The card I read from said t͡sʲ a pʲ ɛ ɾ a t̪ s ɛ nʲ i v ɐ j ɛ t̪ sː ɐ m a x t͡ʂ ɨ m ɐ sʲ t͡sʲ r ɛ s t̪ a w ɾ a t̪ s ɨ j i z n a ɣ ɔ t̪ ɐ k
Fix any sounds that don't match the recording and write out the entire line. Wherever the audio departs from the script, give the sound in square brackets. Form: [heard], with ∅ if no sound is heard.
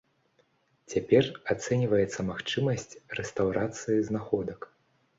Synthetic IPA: t͡sʲ a pʲ ɛ [r] a t̪ s ɛ nʲ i v ɐ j ɛ t̪ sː ɐ m a x t͡ʂ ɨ m ɐ sʲ t͡sʲ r ɛ s t̪ a w ɾ a t̪ s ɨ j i z n a [x] ɔ [d̪] ɐ k